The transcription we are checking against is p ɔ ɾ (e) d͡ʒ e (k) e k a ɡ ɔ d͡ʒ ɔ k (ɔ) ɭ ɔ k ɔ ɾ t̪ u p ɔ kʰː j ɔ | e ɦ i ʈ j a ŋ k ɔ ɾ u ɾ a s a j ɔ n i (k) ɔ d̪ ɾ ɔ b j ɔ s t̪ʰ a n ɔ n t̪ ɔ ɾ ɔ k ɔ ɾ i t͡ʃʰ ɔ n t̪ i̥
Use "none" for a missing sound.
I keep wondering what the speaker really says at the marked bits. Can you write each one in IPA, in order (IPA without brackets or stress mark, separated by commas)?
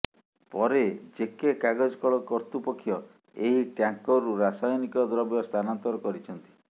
e, k, ɔ, k